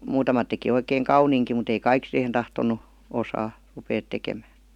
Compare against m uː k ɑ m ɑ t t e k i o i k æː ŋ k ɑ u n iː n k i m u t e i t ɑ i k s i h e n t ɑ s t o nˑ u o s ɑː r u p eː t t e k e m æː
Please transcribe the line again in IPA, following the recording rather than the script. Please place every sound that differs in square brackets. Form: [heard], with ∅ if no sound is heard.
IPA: m uː [t] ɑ m ɑ t t e k i o i k [eː] ŋ k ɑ u n iː [ŋ] k i m u t e i [k] ɑ i k s i h e n t ɑ [h] t o nˑ u o s ɑː r u p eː t t e k e m æː